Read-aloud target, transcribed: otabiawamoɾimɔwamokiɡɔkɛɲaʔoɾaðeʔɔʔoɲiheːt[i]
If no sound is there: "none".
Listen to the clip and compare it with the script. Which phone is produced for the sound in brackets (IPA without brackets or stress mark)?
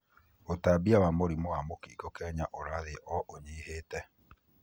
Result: ɛ